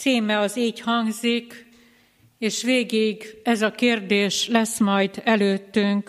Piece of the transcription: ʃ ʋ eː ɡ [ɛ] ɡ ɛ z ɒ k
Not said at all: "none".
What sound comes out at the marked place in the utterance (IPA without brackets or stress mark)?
i